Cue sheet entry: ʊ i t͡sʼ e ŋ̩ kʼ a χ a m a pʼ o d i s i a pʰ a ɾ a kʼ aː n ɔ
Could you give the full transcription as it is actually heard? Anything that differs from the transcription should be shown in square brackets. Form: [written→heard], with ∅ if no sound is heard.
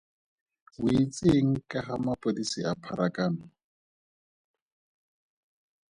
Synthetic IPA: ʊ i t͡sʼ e ŋ̩ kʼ a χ a m a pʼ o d i s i a pʰ a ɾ a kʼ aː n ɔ